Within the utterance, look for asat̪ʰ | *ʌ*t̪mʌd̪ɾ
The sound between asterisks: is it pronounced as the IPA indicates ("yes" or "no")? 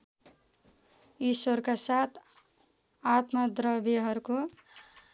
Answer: no